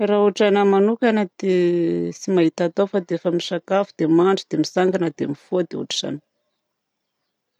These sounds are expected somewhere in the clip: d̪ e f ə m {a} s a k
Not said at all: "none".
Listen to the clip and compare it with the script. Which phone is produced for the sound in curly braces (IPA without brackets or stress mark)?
i